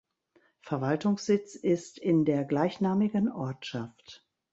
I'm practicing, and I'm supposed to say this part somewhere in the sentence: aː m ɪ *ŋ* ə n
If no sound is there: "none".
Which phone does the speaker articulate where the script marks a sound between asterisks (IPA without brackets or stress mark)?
ɡ